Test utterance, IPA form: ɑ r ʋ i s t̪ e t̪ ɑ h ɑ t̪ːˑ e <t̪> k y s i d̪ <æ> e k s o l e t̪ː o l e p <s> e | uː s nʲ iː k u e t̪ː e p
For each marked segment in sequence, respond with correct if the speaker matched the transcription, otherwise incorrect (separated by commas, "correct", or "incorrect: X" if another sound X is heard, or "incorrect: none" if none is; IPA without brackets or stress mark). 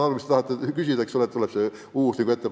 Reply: incorrect: none, correct, correct